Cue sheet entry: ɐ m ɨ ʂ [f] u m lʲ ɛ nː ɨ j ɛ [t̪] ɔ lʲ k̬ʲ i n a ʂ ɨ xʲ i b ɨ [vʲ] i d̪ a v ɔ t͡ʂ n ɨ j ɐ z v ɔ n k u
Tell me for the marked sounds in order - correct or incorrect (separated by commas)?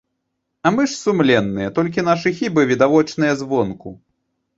incorrect, correct, correct